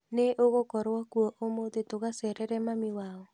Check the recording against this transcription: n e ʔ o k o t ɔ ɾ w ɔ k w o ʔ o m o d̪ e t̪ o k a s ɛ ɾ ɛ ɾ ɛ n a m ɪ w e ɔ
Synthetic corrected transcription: n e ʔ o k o k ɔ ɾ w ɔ k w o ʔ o m o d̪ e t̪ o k a s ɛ ɾ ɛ ɾ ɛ m a m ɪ w a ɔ